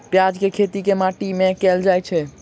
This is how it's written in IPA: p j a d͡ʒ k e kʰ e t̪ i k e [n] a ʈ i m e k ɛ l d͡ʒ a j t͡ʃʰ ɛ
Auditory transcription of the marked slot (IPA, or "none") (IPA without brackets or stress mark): m